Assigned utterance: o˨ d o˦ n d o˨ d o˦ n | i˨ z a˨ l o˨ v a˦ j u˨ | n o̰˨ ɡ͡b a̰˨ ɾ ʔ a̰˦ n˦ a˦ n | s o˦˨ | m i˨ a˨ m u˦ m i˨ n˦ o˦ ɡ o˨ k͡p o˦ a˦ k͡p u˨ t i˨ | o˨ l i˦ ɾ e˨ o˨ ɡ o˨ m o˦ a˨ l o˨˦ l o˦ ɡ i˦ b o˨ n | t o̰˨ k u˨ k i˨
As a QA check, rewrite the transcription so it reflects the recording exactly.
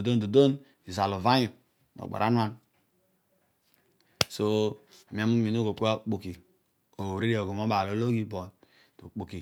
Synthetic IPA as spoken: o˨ d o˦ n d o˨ d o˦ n | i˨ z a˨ l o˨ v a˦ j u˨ | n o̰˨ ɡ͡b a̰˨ ɾ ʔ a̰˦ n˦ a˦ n | s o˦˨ | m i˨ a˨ m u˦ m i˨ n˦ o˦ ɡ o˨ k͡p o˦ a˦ k͡p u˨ k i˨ | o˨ ɾ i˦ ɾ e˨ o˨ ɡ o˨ m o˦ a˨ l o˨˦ l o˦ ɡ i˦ b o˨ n | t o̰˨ k͡p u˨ k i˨